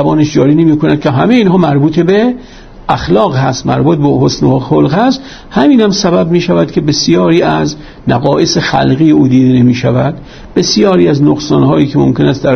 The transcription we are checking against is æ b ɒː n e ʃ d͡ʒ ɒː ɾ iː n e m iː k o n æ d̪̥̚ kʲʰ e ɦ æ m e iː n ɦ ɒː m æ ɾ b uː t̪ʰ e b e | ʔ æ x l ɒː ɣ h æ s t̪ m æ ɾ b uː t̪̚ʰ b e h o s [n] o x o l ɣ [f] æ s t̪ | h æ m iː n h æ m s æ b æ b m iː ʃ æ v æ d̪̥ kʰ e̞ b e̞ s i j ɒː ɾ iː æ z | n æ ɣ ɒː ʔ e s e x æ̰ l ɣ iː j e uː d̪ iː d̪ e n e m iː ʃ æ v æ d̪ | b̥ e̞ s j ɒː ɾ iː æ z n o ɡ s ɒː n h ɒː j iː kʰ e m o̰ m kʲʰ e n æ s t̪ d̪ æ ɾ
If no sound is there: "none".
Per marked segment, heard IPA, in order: n, h

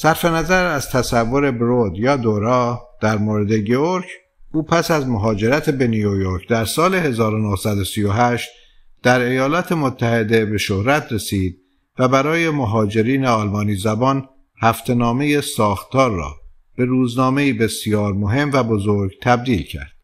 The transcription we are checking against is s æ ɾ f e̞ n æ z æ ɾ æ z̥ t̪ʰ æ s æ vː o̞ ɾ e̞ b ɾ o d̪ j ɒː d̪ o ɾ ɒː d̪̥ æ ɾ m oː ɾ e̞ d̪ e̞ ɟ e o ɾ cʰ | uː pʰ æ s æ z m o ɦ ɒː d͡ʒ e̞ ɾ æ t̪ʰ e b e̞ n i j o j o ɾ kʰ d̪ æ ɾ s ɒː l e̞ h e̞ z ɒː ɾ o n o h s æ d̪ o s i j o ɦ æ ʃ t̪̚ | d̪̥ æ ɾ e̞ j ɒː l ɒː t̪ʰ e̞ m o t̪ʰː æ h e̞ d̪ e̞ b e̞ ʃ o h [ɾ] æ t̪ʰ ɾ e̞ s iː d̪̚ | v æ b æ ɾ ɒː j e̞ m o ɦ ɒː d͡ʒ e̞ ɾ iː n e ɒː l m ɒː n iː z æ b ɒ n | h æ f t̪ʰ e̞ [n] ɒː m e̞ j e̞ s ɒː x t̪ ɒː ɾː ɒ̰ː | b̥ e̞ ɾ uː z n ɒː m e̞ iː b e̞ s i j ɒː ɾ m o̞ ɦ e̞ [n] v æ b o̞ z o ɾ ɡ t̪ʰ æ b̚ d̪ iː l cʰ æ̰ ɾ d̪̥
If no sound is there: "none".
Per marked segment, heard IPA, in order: ɾ, n, m

